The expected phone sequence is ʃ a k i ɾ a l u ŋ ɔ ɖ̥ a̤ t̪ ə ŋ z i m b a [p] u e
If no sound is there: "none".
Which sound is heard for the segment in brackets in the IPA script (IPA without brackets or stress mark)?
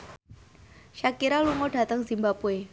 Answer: p